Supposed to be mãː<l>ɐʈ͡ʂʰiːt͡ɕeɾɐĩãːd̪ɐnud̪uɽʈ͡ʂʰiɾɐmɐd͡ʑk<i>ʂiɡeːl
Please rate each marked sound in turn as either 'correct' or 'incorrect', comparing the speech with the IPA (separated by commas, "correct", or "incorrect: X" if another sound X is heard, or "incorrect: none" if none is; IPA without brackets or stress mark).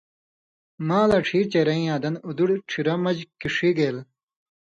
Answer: correct, correct